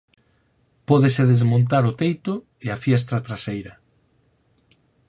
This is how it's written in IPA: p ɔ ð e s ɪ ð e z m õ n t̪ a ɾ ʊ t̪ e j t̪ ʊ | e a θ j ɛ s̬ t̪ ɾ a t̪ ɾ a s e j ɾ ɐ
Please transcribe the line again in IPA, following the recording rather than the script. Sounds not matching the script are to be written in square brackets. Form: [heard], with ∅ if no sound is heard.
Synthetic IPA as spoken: p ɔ ð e s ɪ ð e z m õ n t̪ a ɾ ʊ t̪ e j t̪ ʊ | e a [f] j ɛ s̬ t̪ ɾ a t̪ ɾ a s e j ɾ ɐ